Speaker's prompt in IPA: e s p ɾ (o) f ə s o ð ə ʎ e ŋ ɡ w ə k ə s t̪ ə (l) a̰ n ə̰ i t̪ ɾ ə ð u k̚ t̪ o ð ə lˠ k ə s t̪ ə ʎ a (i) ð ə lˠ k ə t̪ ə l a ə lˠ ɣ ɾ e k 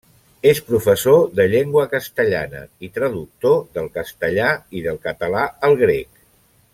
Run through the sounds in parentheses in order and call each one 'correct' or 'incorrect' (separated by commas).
incorrect, incorrect, correct